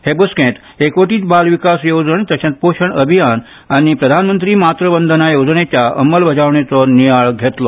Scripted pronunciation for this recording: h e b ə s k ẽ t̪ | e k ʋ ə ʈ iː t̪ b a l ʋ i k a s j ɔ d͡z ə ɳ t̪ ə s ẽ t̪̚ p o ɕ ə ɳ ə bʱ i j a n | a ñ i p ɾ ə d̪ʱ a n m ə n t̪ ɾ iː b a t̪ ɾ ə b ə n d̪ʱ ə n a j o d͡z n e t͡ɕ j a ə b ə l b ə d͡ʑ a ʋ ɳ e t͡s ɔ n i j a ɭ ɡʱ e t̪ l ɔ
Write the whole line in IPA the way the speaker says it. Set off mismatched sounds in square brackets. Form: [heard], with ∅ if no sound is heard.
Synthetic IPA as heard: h e b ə s k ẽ t̪ | e k ʋ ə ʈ iː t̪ b a l ʋ i k a s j [o] d͡z ə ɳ t̪ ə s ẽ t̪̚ p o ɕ ə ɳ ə bʱ i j a n | a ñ i p ɾ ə d̪ʱ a n m ə n t̪ ɾ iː [m] a t̪ ɾ ə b ə n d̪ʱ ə n a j o d͡z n e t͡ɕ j a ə [m] ə l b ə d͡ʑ a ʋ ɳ e t͡s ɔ n i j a ɭ ɡʱ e t̪ l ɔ